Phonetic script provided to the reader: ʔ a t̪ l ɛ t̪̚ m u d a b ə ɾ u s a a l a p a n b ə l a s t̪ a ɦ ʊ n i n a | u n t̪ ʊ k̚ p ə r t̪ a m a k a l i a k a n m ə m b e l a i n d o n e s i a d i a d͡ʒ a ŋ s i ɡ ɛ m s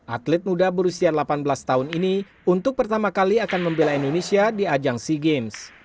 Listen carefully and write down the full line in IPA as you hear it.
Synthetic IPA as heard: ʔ a t̪ l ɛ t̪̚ m u d a b ə ɾ u s i a l a p a n b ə l a s t̪ a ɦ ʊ n i n i | u n t̪ ʊ k̚ p ə r t̪ a m a k a l i a k a n m ə m b e l a i n d o n e s i a d i a d͡ʒ a ŋ s i ɡ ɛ m s